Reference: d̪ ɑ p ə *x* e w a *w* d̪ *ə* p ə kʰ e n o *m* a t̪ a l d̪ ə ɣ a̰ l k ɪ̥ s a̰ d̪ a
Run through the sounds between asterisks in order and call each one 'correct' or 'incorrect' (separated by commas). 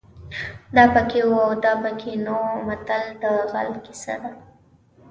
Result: incorrect, correct, incorrect, correct